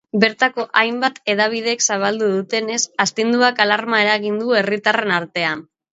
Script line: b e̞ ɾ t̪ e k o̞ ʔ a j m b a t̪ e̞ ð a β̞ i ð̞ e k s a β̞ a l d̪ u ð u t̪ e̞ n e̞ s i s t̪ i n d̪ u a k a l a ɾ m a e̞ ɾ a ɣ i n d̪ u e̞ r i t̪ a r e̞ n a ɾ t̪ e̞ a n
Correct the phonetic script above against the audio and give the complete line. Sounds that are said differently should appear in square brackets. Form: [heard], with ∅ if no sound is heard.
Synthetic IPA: b e̞ ɾ t̪ [a] k o̞ ʔ a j m b a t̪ e̞ ð a β̞ i ð̞ e k s a β̞ a l d̪ u ð u t̪ e̞ n e̞ s [a] s t̪ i n d̪ u a k a l a ɾ m a e̞ ɾ a ɣ i n d̪ u e̞ r i t̪ a r e̞ n a ɾ t̪ e̞ a n